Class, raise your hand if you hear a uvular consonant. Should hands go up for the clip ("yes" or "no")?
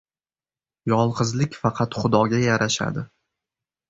yes